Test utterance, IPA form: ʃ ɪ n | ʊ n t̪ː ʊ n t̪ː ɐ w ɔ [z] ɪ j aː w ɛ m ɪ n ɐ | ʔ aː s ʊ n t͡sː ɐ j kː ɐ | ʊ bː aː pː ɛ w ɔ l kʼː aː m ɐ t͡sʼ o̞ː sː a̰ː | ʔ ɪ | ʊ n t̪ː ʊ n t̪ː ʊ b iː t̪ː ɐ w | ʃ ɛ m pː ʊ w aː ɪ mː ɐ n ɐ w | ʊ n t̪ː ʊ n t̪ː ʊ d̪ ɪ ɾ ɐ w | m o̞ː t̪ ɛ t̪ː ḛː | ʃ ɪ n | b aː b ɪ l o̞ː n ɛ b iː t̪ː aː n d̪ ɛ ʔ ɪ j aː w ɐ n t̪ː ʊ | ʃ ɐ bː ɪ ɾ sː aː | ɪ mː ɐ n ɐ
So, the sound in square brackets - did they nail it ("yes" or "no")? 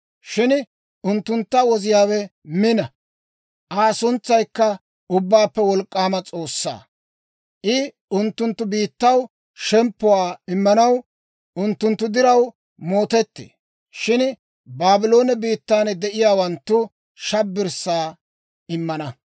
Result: yes